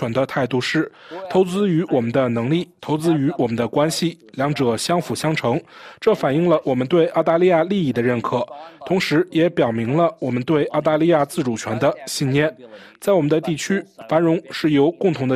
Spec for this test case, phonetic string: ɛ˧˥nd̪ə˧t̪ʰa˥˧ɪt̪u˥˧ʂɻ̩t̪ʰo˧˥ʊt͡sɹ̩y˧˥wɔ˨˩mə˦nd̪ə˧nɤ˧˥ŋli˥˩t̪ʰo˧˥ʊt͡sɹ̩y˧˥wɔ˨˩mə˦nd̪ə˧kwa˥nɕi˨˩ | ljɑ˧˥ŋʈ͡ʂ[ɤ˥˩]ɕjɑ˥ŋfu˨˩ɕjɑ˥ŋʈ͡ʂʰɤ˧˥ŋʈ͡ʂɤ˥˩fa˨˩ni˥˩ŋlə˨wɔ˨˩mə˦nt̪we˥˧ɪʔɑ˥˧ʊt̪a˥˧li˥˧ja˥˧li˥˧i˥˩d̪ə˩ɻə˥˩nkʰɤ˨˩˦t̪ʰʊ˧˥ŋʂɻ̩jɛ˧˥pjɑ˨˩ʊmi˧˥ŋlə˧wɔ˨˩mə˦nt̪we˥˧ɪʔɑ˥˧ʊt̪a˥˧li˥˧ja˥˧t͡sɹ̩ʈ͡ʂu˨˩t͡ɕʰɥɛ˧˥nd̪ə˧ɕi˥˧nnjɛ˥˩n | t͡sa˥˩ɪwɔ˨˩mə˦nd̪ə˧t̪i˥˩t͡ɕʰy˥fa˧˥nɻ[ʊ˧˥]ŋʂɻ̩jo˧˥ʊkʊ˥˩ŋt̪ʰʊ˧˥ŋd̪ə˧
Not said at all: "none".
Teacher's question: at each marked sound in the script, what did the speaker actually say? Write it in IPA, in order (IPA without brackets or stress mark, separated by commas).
ɤ˨˩, ʊ˧˥